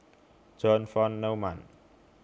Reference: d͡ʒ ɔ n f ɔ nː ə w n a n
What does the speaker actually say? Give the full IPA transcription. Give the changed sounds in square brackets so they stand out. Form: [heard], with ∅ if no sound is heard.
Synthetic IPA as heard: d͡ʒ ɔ n f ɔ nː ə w [m] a n

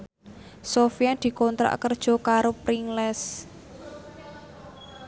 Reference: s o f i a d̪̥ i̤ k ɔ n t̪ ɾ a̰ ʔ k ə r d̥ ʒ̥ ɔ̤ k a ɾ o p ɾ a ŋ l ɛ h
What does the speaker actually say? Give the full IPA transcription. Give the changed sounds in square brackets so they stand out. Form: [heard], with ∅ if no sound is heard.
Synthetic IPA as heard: s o f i a d̪̥ i̤ k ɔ n t̪ ɾ a̰ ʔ k ə r d̥ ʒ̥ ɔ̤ k a ɾ o p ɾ [i] ŋ l ɛ [s]

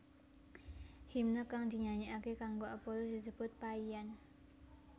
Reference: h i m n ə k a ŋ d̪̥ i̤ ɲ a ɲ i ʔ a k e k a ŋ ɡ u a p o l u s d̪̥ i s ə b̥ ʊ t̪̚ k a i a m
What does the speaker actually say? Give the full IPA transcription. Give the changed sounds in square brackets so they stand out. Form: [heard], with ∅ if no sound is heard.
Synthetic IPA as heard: h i m n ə k a ŋ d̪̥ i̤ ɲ a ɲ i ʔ a k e k a ŋ ɡ [o] a p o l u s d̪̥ i s ə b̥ ʊ t̪̚ [p] a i a [n]

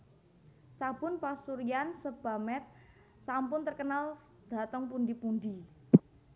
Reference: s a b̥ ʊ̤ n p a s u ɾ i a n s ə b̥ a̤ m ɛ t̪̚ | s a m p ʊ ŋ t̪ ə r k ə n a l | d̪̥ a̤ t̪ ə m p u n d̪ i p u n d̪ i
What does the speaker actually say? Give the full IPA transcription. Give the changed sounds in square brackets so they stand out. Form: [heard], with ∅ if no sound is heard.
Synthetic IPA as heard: s a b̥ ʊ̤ n p a s u ɾ i a n s ə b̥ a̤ m ɛ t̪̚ | s a m p ʊ [n] t̪ ə r k ə n a l | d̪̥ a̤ t̪ ə [ŋ] p u n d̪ i p u n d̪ i

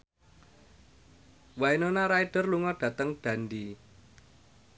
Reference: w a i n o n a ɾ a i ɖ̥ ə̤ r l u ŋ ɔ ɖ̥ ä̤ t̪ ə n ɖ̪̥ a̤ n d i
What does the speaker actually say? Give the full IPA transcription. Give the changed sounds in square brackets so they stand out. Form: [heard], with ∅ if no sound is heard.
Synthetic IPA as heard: w a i n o n a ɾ a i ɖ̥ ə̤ r l u ŋ ɔ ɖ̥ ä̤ t̪ ə [ŋ] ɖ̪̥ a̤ n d i

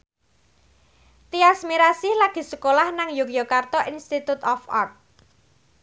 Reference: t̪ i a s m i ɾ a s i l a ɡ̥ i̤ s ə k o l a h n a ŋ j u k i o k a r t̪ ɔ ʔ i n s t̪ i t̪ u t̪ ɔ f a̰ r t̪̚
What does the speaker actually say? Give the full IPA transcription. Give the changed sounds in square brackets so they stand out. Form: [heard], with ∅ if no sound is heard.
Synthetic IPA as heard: t̪ i a s m i ɾ a s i l a ɡ̥ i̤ s ə k o l a h n a ŋ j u k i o k a r t̪ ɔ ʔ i n s t̪ i t̪ u t̪ ɔ f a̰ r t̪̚

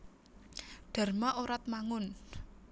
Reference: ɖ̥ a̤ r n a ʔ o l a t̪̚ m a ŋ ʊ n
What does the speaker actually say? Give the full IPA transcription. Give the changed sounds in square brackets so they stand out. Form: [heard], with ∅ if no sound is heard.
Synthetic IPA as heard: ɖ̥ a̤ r [m] a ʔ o [ɾ] a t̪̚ m a ŋ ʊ n

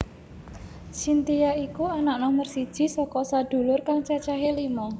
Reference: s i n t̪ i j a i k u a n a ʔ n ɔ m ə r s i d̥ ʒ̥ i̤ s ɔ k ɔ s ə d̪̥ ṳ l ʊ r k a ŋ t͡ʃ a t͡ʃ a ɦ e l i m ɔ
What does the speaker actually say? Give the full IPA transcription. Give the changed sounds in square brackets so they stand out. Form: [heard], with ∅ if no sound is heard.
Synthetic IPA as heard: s i n t̪ i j a i k u a n a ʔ n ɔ m ə r s i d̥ ʒ̥ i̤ s ɔ k ɔ s [a] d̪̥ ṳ l ʊ r k a ŋ t͡ʃ a t͡ʃ a ɦ e l i m ɔ

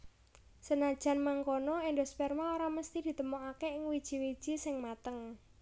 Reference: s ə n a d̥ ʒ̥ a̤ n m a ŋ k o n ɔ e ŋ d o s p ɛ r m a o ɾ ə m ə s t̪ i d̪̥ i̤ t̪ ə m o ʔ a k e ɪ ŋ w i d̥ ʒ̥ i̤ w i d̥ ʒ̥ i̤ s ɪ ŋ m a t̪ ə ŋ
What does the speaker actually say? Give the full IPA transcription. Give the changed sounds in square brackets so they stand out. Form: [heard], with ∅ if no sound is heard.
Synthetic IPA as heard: s ə n a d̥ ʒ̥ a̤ n m a ŋ k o n ɔ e [n] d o s p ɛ r m a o ɾ [a] m ə s t̪ i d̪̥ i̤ t̪ ə m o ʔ a k e ɪ ŋ w i d̥ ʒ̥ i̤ w i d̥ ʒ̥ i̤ s ɪ ŋ m a t̪ ə ŋ

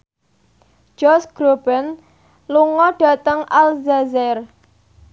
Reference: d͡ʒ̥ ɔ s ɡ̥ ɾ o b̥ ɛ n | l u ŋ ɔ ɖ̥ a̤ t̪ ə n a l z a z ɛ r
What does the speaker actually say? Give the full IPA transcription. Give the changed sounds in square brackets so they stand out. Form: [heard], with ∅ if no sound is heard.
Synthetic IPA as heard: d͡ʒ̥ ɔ s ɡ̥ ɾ o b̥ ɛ n | l u ŋ ɔ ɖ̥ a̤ t̪ ə [ŋ] a l z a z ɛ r

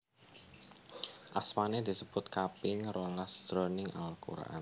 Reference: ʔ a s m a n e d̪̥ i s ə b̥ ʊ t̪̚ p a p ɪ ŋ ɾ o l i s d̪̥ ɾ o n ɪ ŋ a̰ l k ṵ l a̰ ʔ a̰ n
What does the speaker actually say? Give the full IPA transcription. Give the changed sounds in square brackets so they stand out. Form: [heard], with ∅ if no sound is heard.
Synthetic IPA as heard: ʔ a s m a n e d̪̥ i s ə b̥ ʊ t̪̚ [k] a p ɪ ŋ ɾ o l [a] s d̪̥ ɾ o n ɪ ŋ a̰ l k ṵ [ɾ] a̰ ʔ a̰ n

